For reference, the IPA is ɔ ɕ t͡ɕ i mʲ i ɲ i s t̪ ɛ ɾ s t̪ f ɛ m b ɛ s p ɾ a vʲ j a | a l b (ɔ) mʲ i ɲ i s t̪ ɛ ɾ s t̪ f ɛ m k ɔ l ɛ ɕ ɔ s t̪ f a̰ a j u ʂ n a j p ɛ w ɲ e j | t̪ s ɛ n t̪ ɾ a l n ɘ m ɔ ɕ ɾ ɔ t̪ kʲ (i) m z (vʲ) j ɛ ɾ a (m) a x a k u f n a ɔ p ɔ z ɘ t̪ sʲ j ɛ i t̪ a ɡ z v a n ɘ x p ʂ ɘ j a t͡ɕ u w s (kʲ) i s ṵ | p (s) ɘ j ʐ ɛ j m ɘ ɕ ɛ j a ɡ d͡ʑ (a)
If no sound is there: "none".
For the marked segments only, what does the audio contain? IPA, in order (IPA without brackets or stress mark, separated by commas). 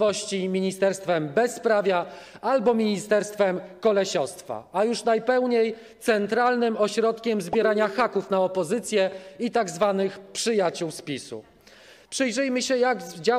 ɔ, ɛ, bʲ, ɲ, pʲ, ʂ, a